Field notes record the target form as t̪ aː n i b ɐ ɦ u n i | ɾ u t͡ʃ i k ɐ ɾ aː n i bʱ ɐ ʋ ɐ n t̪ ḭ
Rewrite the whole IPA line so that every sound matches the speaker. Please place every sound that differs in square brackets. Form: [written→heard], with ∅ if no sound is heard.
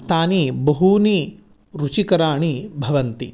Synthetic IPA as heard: t̪ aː n i b ɐ ɦ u n i | ɾ u t͡ʃ i k ɐ ɾ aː [n→ɳ] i bʱ ɐ ʋ ɐ n t̪ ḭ